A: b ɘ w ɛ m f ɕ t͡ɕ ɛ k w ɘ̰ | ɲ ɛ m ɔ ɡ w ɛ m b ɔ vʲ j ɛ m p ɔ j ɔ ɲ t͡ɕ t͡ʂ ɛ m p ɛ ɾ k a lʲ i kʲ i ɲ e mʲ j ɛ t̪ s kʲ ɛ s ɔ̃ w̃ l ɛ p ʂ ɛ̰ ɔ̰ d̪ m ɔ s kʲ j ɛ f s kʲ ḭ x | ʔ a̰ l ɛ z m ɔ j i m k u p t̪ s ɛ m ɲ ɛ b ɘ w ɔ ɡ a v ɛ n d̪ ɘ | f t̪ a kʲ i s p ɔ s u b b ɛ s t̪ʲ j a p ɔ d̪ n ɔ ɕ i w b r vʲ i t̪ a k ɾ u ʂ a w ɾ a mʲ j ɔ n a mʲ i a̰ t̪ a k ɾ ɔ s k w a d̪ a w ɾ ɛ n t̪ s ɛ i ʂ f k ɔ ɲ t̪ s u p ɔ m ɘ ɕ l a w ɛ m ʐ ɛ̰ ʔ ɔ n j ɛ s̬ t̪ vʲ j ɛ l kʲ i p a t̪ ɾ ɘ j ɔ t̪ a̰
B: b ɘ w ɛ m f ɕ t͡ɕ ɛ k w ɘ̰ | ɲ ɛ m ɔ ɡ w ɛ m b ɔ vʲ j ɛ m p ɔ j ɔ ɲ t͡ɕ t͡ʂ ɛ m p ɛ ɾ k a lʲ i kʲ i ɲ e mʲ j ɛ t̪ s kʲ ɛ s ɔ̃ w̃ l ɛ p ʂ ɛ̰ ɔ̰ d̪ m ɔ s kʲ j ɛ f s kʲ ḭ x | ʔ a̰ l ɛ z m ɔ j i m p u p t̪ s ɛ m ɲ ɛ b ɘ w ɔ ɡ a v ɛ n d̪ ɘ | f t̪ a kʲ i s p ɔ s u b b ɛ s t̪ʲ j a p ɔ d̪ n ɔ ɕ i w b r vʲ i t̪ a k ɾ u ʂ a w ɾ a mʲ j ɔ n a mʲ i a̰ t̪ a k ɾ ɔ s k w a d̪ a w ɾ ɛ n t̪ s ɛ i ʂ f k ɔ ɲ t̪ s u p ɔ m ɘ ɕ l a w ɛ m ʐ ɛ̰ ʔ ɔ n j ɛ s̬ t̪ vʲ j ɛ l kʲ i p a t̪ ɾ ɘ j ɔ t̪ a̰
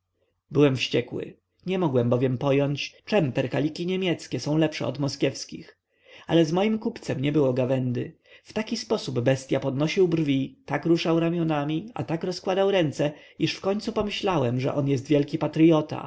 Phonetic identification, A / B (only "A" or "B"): A